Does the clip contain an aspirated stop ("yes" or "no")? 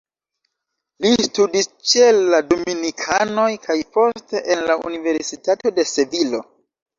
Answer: yes